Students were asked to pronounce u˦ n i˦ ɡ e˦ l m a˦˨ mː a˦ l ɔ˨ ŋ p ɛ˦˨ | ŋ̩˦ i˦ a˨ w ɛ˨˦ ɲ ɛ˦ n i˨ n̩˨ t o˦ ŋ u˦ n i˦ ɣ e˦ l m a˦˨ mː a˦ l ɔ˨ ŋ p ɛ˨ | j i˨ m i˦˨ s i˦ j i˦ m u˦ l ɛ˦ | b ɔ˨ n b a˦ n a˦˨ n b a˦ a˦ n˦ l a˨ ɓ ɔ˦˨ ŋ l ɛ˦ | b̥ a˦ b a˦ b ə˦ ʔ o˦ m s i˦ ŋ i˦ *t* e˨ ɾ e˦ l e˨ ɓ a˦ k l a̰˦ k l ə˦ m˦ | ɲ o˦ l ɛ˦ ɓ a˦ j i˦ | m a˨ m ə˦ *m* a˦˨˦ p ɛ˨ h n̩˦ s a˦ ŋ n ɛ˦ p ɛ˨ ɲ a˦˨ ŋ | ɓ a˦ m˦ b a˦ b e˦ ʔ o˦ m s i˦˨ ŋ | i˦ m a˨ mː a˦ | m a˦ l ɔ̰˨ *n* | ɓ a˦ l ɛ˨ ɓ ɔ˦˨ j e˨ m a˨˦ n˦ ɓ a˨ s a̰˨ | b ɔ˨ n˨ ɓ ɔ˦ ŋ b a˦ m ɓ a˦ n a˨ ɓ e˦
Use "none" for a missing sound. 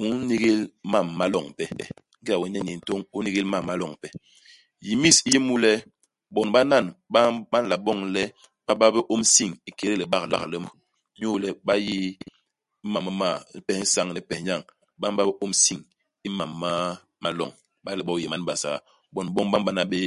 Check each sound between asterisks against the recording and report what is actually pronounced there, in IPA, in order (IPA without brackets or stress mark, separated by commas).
k, m, ŋ